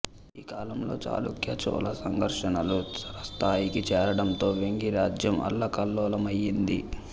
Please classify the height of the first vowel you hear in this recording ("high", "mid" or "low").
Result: high